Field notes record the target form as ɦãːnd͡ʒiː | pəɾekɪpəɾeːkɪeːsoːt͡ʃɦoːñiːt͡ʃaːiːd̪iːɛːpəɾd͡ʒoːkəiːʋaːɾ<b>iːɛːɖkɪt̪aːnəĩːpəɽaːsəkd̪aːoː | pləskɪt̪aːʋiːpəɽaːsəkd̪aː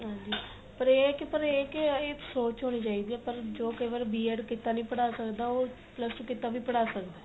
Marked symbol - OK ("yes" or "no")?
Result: yes